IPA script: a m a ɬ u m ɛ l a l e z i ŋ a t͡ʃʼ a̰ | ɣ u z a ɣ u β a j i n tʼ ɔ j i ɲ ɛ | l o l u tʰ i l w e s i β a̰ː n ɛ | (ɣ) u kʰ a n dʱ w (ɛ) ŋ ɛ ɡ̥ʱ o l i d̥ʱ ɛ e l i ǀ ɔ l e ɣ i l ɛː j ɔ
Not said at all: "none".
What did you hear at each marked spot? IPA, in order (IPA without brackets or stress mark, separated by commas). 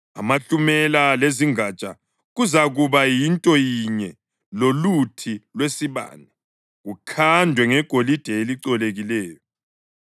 ɣ, ɛ